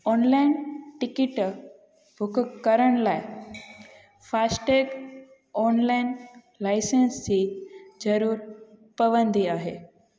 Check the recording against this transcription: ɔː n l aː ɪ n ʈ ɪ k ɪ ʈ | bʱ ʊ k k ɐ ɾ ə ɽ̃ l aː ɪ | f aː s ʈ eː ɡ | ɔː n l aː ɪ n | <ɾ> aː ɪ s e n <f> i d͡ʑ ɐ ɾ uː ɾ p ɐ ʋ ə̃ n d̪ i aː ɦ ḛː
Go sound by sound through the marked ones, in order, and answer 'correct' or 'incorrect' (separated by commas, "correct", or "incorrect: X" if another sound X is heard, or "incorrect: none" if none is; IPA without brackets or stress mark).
incorrect: l, incorrect: s